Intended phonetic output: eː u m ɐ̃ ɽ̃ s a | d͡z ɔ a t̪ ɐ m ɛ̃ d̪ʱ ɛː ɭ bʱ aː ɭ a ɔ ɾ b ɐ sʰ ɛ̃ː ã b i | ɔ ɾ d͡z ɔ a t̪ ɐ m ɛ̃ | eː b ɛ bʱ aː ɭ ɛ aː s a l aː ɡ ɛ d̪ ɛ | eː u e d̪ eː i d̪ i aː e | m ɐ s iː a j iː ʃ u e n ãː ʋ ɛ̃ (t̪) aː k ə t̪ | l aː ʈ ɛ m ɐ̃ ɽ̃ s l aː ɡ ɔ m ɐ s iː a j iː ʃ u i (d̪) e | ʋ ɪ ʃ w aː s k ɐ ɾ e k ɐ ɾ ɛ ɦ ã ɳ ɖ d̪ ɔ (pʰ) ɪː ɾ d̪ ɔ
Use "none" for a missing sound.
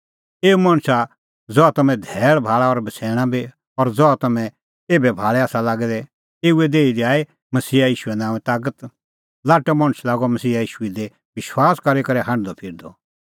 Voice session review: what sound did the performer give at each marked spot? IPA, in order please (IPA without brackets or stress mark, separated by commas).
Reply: t̪, d̪, pʰ